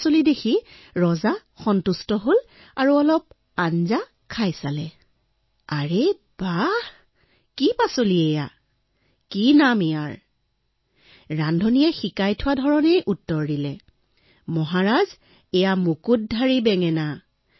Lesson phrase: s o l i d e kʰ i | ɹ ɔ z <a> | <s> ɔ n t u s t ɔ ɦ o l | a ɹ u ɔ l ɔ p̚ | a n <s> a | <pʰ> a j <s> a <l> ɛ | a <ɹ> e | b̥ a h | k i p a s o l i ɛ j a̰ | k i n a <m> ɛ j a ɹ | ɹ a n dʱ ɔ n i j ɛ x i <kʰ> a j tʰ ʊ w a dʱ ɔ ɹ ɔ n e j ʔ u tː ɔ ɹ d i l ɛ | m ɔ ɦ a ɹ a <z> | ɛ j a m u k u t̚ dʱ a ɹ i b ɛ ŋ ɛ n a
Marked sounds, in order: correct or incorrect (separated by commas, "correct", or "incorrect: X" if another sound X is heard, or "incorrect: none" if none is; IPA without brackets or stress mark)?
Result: correct, incorrect: x, incorrect: z, incorrect: kʰ, correct, correct, correct, correct, incorrect: k, correct